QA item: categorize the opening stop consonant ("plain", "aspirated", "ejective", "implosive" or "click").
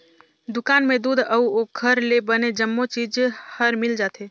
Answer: plain